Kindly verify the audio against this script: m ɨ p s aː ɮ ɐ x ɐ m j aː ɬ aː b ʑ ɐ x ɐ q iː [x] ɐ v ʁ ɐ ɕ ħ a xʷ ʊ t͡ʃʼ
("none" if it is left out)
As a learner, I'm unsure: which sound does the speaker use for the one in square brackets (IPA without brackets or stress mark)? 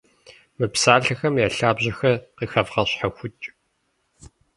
x